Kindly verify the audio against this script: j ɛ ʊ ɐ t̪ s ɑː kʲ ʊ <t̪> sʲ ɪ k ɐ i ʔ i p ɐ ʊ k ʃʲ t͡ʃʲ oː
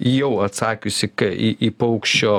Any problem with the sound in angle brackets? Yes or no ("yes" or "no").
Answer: yes